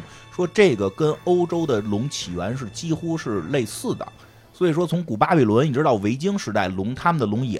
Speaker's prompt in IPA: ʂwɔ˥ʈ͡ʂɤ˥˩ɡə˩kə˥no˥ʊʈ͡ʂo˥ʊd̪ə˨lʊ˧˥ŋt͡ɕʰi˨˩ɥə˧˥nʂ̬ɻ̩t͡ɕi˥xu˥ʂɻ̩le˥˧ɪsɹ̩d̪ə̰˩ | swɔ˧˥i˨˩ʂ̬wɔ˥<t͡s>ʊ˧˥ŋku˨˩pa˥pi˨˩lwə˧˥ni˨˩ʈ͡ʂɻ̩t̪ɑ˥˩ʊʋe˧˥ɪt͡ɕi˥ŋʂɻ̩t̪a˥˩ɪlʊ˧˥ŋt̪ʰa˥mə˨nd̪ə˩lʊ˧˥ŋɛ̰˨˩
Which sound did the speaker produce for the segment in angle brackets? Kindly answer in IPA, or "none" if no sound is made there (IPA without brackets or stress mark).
t͡sʰ